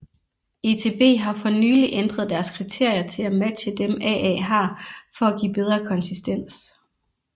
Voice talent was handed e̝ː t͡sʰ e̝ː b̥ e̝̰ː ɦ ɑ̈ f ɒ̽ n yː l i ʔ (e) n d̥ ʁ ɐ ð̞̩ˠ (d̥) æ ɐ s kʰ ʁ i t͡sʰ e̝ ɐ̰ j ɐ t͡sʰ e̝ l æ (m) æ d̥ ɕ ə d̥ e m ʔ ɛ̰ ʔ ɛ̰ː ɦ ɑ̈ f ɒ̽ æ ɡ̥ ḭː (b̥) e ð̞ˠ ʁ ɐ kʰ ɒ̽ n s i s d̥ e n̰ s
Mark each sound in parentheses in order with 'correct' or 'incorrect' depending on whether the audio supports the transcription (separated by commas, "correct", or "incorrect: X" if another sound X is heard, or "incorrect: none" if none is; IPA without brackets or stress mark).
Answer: correct, correct, correct, correct